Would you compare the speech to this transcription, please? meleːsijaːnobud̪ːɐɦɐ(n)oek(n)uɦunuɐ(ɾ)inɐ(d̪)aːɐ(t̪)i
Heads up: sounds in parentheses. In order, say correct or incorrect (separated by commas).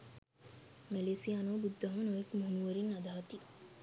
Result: correct, incorrect, correct, correct, correct